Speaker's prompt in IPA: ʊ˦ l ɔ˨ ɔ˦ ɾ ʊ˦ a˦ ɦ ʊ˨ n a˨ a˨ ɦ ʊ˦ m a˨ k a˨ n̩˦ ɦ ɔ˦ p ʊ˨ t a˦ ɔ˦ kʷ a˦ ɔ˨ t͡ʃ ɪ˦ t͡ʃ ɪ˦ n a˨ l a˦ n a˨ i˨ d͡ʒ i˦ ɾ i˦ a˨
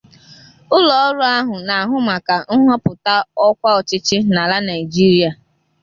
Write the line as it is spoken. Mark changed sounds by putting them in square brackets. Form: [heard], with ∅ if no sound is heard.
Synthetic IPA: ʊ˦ l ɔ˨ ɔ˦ ɾ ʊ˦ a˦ ɦ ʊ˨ n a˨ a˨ ɦ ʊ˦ m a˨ k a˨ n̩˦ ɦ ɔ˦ p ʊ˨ t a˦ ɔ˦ kʷ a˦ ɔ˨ t͡ʃ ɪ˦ t͡ʃ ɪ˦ n a˨ l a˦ n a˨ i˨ d͡ʒ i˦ ɾ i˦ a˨